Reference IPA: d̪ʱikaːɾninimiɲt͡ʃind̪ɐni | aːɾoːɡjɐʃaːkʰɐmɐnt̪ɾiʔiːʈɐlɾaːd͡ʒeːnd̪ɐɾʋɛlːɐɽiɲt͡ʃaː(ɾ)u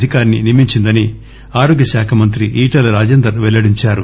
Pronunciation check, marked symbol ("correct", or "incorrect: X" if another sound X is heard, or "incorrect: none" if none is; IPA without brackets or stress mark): correct